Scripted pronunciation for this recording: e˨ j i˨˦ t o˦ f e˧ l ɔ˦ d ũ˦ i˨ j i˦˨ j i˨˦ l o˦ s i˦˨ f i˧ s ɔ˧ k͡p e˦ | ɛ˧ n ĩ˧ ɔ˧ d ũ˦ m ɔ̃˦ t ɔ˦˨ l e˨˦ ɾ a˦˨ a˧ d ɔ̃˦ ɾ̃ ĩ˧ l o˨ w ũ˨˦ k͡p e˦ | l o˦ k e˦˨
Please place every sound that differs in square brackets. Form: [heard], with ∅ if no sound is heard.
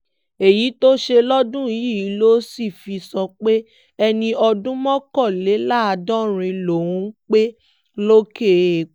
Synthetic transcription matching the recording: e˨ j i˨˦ t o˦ [ʃ] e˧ l ɔ˦ d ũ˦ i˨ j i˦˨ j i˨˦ l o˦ s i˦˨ f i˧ s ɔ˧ k͡p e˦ | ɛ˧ n ĩ˧ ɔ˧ d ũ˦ m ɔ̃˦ [k] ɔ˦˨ l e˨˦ [l] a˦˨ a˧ d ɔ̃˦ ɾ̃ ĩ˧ l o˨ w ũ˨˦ k͡p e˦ | l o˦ k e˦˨